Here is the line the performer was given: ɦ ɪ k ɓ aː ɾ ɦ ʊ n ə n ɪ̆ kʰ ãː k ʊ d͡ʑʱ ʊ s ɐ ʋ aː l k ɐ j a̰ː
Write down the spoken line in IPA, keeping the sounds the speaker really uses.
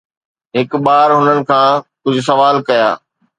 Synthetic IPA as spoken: ɦ ɪ k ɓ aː ɾ ɦ ʊ n ə n ɪ̆ kʰ ãː k ʊ d͡ʑʱ ʊ s ɐ ʋ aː l k ɐ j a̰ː